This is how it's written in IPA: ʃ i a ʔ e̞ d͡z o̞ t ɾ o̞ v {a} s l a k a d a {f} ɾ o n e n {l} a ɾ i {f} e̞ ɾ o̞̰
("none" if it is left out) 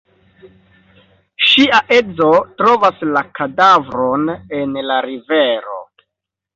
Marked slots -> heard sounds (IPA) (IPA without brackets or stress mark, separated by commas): a, v, l, v